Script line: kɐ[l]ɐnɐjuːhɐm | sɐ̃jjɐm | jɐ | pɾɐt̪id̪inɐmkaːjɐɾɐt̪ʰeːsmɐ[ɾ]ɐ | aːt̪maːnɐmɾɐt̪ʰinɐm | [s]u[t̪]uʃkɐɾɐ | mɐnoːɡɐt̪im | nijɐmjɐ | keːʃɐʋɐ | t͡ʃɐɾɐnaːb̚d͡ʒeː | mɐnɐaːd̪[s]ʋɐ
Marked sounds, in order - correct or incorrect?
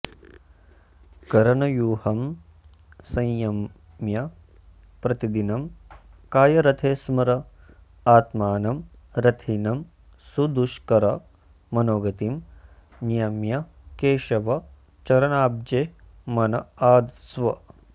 incorrect, correct, correct, incorrect, correct

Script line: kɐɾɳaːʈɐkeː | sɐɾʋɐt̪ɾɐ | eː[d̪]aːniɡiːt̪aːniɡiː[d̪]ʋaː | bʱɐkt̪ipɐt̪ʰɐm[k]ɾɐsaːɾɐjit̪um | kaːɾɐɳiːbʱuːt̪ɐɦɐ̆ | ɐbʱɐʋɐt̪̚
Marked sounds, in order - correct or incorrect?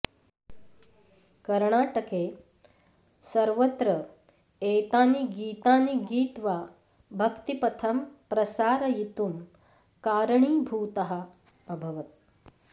incorrect, incorrect, incorrect

